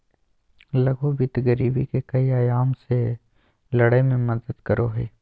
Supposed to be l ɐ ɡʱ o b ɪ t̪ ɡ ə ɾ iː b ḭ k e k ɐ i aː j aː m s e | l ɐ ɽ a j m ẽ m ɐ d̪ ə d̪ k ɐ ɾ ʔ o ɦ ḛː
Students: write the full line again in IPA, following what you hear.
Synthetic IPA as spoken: l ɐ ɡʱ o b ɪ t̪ ɡ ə ɾ iː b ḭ k e k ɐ i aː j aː m s e | l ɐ ɽ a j m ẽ m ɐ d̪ ə d̪ k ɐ ɾ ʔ o ɦ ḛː